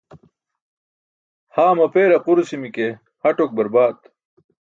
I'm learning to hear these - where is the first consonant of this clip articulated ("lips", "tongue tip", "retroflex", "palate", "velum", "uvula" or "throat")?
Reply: throat